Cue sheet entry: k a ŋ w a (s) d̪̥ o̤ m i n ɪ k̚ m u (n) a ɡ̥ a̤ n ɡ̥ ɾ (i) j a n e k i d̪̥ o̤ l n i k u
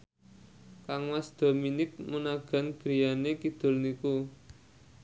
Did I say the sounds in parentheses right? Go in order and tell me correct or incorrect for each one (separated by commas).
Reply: correct, correct, correct